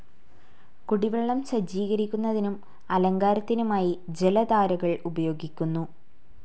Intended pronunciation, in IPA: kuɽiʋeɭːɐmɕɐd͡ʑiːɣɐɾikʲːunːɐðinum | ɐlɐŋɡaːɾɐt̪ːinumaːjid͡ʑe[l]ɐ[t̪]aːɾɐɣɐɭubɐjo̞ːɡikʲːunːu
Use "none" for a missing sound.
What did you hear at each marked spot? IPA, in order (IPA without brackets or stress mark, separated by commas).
l, d̪